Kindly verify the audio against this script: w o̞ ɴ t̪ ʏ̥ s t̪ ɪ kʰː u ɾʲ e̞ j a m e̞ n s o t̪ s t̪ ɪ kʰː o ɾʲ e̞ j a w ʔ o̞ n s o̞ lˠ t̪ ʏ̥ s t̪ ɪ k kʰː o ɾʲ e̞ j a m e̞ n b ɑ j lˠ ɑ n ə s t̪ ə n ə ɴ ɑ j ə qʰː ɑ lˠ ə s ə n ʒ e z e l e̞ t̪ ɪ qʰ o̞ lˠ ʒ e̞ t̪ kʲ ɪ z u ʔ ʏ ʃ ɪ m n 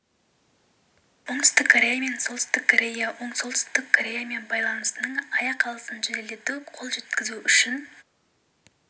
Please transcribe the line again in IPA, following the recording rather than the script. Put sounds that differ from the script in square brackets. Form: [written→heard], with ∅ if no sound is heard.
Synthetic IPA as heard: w o̞ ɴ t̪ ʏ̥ s t̪ ɪ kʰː [u→o] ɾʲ e̞ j a m e̞ n s o t̪ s t̪ ɪ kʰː o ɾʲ e̞ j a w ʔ o̞ [n→ɴ] s o̞ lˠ t̪ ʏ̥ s t̪ ɪ k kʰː o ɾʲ e̞ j a m e̞ n b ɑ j lˠ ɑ n ə s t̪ ə n ə ɴ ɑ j [ə→ɑ] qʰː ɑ lˠ ə s ə n ʒ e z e l e̞ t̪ ɪ qʰ o̞ lˠ ʒ e̞ t̪ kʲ ɪ z u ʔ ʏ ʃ ɪ [m→∅] n